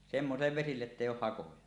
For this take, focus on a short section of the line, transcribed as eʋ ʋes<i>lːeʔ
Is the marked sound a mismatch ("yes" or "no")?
no